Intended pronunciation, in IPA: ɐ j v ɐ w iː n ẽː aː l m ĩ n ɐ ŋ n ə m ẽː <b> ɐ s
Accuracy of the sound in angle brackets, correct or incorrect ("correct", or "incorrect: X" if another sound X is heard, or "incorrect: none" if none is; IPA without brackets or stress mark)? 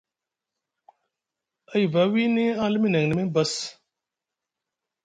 correct